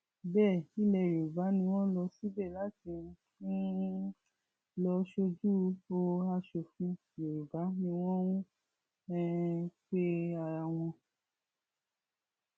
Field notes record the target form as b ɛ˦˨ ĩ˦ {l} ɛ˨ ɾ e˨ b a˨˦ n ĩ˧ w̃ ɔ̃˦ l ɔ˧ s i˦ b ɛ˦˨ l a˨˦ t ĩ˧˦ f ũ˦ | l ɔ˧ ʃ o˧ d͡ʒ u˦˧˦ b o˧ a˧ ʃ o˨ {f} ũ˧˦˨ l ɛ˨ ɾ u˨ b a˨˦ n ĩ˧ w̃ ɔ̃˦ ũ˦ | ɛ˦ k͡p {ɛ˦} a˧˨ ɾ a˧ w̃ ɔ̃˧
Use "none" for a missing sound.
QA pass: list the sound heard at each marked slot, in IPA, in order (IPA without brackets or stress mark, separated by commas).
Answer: l, f, e˦